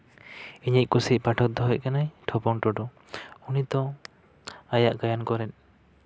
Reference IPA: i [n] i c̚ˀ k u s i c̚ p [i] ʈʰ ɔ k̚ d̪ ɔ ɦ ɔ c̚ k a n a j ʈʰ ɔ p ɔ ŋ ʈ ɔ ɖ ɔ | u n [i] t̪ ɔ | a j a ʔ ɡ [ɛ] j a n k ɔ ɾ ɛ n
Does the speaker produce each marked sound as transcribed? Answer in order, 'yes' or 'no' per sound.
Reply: no, no, yes, no

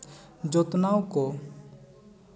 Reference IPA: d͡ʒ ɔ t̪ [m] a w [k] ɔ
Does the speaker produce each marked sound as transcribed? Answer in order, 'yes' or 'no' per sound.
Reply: no, yes

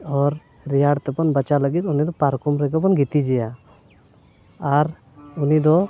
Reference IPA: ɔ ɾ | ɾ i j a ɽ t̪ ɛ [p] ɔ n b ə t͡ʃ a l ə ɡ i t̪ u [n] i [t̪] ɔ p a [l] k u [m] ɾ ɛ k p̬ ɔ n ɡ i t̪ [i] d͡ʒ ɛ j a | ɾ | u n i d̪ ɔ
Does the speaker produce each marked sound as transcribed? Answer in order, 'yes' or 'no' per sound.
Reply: yes, yes, no, no, yes, yes

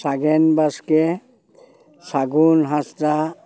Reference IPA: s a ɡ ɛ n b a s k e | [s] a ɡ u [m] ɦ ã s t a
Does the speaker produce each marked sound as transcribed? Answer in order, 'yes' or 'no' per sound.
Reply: yes, no

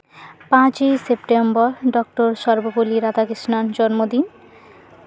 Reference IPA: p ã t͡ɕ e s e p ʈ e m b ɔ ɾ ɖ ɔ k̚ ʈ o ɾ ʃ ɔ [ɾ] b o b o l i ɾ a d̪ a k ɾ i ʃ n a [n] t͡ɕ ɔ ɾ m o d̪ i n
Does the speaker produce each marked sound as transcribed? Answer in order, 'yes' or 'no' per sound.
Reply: yes, yes

